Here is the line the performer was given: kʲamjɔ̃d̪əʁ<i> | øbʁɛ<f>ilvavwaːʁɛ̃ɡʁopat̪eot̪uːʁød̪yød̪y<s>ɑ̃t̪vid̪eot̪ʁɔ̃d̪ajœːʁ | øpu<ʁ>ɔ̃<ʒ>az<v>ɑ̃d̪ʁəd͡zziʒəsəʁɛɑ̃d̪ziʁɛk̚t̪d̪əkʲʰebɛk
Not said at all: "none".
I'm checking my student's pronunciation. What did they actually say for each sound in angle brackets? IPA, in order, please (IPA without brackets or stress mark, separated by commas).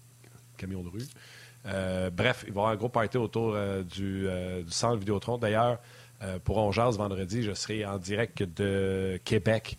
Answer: y, f, s, ʁ, ʒ, v